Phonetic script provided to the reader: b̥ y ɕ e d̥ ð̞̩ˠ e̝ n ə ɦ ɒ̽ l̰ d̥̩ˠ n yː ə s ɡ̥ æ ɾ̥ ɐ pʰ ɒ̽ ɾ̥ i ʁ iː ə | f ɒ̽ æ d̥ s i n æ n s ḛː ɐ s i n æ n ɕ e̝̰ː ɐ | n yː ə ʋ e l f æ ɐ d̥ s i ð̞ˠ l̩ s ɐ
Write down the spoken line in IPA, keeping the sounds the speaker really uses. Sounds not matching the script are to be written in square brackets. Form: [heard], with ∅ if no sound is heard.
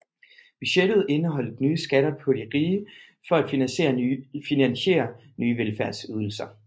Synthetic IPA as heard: b̥ y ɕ e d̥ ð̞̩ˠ e̝ n ə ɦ ɒ̽ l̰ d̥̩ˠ n yː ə s ɡ̥ æ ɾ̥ ɐ pʰ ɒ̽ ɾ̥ i ʁ iː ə | f ɒ̽ æ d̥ [f] i n æ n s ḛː ɐ [f] i n æ n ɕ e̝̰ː ɐ | n yː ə ʋ e l f æ ɐ d̥ s [y] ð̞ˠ l̩ s ɐ

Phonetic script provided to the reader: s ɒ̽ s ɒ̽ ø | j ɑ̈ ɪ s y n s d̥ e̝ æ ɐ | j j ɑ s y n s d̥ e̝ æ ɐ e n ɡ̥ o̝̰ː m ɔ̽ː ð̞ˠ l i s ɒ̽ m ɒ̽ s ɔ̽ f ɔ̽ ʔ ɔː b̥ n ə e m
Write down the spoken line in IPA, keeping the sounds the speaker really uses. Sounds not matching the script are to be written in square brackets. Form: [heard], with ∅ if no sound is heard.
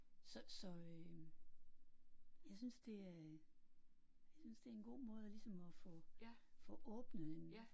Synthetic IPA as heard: s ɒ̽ s ɒ̽ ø | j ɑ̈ ɪ s y n s d̥ e̝ æ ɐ | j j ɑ s y n s d̥ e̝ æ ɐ e n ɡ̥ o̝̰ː m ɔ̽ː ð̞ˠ l i s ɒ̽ m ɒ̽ [f] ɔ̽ f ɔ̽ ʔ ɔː b̥ n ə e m

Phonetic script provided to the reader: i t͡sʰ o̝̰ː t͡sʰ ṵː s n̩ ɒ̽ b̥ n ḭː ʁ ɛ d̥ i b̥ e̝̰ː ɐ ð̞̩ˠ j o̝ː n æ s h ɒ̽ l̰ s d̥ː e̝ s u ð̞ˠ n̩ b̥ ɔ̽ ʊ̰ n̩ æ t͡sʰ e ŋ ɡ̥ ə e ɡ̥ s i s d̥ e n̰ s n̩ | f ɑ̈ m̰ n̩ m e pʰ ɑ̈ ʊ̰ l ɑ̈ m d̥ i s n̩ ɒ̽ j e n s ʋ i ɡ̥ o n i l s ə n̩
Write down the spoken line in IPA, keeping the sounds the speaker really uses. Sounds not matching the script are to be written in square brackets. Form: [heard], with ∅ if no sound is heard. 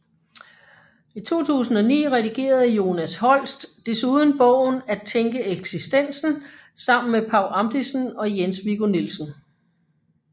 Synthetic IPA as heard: i t͡sʰ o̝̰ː t͡sʰ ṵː s n̩ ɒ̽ [∅] n ḭː ʁ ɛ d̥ i [ɡ̥] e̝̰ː ɐ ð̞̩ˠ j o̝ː n æ s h ɒ̽ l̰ s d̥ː e̝ s u ð̞ˠ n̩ b̥ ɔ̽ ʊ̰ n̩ æ t͡sʰ e ŋ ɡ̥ ə e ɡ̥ s i s d̥ e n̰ s n̩ | [s] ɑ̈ m̰ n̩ m e pʰ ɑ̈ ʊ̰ l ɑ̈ m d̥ i s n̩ ɒ̽ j e n s ʋ i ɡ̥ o n i l s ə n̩

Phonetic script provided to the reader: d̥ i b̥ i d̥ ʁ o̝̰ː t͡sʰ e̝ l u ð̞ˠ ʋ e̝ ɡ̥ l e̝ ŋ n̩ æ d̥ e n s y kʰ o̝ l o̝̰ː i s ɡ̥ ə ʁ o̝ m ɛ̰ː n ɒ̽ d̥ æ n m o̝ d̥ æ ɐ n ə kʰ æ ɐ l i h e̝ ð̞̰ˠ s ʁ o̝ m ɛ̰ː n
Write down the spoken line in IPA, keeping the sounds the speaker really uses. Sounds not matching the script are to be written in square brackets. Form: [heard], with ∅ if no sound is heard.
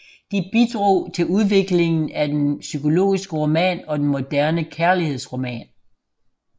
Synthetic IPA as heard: d̥ i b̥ i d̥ ʁ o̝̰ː t͡sʰ e̝ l u ð̞ˠ ʋ e̝ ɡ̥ l e̝ ŋ n̩ æ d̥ e n s y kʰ o̝ l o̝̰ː i s ɡ̥ ə ʁ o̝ m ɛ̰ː n ɒ̽ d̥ [e] n m o̝ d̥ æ ɐ n ə kʰ æ ɐ l i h e̝ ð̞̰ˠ s ʁ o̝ m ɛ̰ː n

